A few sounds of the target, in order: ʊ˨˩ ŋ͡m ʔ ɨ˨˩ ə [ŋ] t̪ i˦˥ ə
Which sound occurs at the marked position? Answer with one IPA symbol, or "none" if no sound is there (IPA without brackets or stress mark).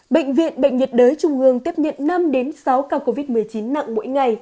ŋ